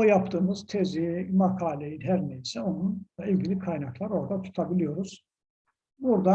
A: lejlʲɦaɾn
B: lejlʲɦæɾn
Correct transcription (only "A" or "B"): B